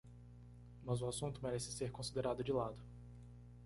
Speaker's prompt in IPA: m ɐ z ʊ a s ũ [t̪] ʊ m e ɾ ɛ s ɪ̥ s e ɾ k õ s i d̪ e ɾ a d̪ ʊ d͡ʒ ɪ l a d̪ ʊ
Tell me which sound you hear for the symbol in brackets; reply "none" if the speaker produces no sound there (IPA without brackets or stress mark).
t̪